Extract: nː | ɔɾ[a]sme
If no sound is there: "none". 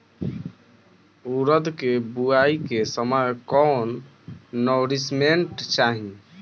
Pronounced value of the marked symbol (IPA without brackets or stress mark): i